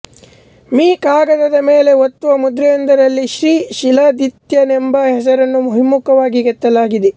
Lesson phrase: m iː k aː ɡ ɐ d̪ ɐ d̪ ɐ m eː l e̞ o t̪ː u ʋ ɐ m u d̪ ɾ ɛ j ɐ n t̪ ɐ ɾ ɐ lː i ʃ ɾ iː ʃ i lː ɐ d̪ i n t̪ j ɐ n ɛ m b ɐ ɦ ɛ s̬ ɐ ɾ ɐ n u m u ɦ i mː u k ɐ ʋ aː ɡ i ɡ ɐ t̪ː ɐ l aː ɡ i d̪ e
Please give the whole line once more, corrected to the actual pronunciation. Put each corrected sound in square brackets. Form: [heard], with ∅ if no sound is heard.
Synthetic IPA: m iː k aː ɡ ɐ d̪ ɐ d̪ ɐ m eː l e̞ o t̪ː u ʋ ɐ m u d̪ ɾ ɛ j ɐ n [d̪] ɐ ɾ ɐ lː i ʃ ɾ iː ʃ i [l] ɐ d̪ i [∅] t̪ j ɐ n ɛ m b ɐ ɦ ɛ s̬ ɐ ɾ ɐ [nː] u m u ɦ i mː u k ɐ ʋ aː ɡ i ɡ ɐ t̪ː ɐ l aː ɡ i d̪ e